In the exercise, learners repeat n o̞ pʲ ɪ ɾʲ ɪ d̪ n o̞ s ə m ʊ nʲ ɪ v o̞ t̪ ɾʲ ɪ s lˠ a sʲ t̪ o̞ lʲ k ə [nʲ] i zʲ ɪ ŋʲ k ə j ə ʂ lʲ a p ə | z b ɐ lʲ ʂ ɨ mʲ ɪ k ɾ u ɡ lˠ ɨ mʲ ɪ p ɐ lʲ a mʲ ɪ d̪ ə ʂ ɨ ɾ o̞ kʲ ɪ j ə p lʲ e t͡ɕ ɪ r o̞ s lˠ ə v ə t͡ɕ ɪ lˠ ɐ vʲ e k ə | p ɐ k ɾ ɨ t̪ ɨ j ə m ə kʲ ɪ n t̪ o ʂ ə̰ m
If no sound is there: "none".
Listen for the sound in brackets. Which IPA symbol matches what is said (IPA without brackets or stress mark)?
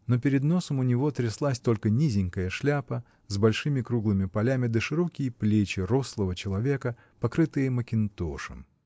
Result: nʲ